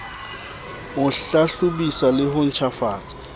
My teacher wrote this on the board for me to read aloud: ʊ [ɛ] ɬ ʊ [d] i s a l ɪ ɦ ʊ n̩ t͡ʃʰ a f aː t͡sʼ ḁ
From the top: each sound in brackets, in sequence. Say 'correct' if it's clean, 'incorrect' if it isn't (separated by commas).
incorrect, incorrect